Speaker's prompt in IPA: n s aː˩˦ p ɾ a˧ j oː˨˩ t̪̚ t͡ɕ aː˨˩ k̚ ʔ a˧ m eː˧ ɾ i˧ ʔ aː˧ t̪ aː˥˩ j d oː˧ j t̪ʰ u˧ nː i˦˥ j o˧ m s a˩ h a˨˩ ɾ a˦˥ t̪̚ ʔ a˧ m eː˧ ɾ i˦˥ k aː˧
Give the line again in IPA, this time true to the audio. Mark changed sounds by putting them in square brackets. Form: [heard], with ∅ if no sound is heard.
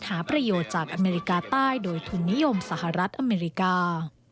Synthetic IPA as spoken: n [h] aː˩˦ p ɾ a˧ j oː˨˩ t̪̚ t͡ɕ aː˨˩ k̚ ʔ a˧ m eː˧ ɾ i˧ [k] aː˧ t̪ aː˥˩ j d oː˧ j t̪ʰ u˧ nː i˦˥ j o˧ m s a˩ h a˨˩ ɾ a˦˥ t̪̚ ʔ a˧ m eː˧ ɾ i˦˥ k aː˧